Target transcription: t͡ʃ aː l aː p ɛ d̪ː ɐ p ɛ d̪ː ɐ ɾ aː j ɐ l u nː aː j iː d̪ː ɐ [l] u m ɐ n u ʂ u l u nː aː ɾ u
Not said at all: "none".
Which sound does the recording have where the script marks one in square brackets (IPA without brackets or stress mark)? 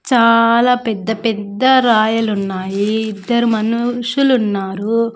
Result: ɾ